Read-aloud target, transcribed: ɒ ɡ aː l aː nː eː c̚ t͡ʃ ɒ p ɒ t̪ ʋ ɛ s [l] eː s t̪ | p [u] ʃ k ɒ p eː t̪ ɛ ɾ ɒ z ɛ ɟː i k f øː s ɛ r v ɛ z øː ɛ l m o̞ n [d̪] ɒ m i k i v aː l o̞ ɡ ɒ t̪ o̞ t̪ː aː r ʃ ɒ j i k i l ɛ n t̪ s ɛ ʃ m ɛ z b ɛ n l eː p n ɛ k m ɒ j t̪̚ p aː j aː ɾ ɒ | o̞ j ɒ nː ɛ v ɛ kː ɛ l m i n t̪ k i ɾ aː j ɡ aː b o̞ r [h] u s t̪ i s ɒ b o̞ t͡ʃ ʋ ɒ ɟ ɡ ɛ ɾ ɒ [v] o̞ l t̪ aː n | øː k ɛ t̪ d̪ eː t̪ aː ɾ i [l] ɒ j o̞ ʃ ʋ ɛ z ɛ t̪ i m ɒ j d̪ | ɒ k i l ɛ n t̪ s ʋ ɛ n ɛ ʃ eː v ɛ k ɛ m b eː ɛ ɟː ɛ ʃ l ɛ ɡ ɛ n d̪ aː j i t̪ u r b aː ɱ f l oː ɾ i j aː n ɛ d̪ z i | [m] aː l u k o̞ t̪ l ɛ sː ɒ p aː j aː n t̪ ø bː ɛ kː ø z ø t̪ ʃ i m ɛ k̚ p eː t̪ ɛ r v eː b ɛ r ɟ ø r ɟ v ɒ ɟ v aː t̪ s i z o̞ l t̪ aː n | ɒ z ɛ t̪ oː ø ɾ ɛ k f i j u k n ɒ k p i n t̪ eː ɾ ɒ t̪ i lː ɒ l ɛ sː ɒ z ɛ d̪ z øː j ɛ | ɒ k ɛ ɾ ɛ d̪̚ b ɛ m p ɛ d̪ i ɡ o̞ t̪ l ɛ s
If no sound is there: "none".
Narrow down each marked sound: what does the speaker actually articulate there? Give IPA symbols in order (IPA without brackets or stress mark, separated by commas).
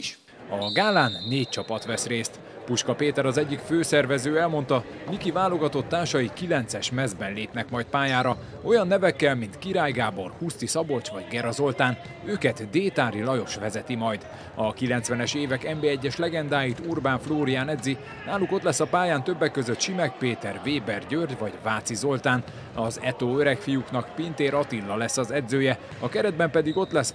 r, u, t̪, h, z, l, n